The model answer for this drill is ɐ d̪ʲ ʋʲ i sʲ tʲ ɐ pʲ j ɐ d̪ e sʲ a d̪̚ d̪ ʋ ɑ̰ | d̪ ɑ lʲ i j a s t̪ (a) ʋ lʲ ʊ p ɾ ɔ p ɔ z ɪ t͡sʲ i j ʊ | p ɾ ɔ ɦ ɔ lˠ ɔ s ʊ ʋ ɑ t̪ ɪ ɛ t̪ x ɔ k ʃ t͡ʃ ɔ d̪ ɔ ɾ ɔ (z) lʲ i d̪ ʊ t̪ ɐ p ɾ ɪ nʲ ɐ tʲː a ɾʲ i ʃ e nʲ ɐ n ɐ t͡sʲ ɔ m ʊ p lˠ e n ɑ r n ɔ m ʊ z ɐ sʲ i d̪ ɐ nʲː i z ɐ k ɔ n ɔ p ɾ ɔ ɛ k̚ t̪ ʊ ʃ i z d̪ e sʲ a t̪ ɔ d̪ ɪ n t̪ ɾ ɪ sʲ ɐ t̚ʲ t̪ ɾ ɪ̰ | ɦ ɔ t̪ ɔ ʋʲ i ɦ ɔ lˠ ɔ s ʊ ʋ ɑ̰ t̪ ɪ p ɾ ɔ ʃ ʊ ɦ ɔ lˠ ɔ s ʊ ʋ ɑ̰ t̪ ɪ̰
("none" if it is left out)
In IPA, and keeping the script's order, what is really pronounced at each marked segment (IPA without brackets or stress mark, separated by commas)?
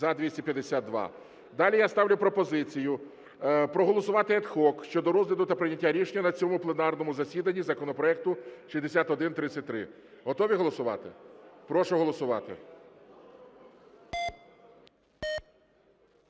ɑ, z